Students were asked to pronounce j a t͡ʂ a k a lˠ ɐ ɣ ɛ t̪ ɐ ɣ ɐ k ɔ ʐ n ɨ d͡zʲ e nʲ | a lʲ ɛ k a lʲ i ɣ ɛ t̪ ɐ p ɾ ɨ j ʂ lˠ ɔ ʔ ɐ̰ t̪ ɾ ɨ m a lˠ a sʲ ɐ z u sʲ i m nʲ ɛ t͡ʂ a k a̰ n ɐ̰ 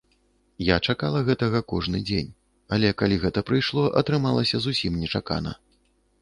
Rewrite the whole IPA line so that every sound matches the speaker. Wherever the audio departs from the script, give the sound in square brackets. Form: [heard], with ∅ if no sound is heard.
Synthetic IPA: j a t͡ʂ a k a lˠ ɐ ɣ ɛ t̪ ɐ ɣ ɐ k ɔ ʐ n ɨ d͡zʲ e nʲ | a lʲ ɛ k a lʲ i ɣ ɛ t̪ ɐ p ɾ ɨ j ʂ lˠ ɔ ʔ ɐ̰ t̪ ɾ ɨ m a lˠ [ɐ] sʲ ɐ z u sʲ i m nʲ ɛ t͡ʂ a k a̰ n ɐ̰